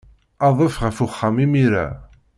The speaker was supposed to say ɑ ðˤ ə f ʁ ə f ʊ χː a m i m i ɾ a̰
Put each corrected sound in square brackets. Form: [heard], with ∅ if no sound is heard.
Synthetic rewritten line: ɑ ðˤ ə f ʁ ə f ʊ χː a m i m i ɾ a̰